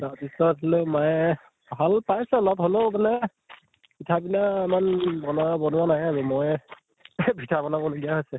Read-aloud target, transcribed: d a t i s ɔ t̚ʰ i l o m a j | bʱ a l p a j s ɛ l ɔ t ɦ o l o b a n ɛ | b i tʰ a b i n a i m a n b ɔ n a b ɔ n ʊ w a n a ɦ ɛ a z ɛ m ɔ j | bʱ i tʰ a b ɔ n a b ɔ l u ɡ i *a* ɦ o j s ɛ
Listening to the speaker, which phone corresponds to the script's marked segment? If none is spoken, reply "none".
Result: a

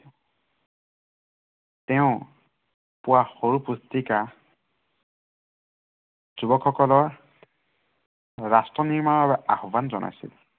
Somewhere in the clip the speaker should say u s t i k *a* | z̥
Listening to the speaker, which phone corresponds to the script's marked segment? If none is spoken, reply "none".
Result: a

